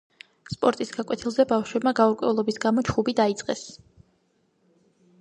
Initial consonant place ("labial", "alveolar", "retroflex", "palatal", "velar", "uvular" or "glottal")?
alveolar